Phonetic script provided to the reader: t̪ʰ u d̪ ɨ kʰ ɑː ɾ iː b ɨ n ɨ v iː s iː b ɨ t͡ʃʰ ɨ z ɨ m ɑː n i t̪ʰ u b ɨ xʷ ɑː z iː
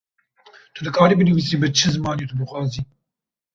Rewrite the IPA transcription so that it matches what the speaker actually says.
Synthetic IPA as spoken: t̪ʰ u d̪ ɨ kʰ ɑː ɾ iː b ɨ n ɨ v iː s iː b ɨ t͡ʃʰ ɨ z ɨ m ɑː n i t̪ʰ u b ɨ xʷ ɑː z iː